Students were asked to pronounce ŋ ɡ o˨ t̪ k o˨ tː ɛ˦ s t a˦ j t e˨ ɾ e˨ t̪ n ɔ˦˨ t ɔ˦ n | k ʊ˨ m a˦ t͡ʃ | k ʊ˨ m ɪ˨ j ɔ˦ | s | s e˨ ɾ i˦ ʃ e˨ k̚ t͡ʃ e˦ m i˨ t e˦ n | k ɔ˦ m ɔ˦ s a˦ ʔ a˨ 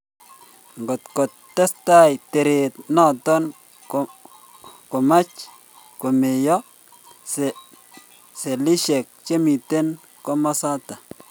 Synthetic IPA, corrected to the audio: ŋ ɡ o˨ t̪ k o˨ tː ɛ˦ s t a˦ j t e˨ ɾ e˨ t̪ n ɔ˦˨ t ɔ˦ n | k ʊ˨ m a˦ t͡ʃ | k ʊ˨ m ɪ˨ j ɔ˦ | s | s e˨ l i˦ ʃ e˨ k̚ t͡ʃ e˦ m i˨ t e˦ n | k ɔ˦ m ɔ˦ s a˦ t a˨